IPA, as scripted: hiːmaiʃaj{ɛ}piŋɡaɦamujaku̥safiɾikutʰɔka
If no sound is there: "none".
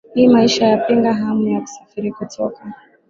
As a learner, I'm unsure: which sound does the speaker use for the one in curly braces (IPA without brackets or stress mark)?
a